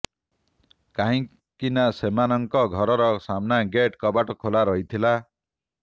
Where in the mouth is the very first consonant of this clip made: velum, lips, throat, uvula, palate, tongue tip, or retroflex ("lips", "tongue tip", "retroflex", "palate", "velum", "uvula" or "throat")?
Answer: velum